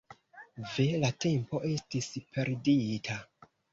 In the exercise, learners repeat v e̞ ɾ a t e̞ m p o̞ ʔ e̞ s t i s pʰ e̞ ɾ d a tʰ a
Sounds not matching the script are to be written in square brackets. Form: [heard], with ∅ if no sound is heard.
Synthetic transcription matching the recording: v e̞ [l] a t e̞ m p o̞ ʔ e̞ s t i s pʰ e̞ ɾ d [i] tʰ a